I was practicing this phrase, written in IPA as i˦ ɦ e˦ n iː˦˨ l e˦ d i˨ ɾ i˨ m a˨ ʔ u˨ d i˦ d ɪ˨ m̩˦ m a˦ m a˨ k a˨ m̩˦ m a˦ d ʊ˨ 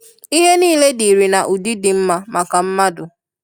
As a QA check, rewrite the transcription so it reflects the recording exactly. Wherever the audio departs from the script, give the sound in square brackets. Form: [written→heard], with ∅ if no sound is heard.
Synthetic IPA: i˦ ɦ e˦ n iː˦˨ l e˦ d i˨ ɾ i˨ [m→n] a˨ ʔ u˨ d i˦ d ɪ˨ m̩˦ m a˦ m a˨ k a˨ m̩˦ m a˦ d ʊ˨